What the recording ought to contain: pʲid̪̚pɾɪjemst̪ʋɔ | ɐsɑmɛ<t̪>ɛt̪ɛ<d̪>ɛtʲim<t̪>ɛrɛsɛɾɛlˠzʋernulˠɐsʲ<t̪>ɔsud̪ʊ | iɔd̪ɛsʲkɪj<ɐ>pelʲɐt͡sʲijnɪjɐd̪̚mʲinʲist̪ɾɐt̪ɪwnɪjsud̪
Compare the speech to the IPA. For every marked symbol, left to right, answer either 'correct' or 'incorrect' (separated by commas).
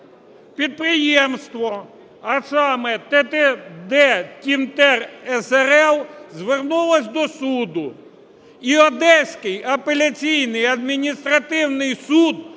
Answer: correct, correct, correct, incorrect, correct